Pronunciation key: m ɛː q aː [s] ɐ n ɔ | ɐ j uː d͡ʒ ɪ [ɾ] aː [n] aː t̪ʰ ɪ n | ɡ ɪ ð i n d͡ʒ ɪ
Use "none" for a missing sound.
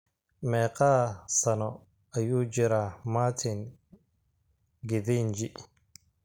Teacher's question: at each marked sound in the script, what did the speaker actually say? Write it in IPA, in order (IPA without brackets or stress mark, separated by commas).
s, ɾ, m